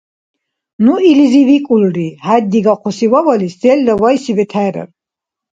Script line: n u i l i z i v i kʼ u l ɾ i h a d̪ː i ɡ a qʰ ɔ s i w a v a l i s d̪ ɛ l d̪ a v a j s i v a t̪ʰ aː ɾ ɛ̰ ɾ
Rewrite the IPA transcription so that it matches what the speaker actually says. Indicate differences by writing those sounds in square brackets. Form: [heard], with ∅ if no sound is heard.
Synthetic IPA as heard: n u i l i z i v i kʼ u l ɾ i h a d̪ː i ɡ a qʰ ɔ s i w a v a l i s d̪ ɛ l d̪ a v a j s i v [ɛ] t̪ʰ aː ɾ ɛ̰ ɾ